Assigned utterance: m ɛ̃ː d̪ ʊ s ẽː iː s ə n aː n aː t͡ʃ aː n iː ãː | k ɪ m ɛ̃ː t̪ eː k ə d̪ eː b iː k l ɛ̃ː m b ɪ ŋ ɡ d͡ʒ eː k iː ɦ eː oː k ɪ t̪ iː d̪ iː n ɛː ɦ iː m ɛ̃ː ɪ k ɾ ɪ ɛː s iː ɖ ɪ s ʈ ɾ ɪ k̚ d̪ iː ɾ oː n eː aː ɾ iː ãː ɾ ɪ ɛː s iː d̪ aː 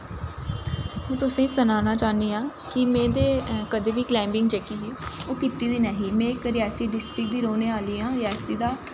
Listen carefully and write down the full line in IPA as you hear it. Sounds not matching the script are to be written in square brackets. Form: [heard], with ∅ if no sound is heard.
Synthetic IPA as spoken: m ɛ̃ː [t̪] ʊ s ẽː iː s ə n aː n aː t͡ʃ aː n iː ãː | k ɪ m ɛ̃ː [d̪] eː k ə d̪ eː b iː k l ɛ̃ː m b ɪ ŋ ɡ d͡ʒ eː k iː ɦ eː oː k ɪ t̪ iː d̪ iː n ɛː ɦ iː m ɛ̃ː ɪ k ɾ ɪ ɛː s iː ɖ ɪ s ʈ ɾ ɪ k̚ d̪ iː ɾ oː n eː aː [l] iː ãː ɾ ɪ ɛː s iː d̪ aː